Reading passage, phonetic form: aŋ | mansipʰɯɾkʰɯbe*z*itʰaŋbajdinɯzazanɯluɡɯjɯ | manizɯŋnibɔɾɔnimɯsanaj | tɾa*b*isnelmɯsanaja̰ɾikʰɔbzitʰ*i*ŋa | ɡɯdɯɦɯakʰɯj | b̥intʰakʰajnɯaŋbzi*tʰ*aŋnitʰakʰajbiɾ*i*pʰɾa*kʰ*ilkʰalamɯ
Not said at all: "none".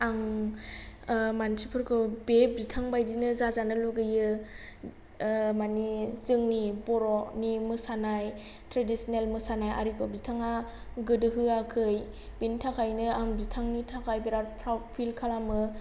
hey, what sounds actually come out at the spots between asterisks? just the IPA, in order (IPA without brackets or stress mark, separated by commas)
z, d, a, tʰ, a, pʰ